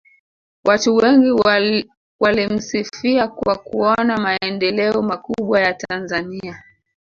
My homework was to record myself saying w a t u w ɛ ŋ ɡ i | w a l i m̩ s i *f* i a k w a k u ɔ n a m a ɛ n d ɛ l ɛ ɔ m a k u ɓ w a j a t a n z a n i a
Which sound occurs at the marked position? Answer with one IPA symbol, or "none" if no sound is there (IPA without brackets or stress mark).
f